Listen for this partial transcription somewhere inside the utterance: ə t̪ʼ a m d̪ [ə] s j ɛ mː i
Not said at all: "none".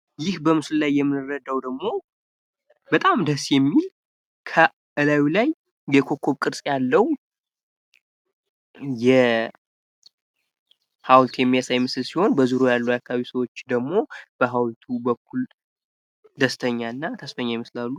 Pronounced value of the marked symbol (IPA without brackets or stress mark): ə